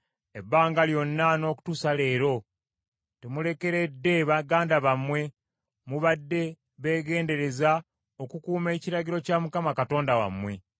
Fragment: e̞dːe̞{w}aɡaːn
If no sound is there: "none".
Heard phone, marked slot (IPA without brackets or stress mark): β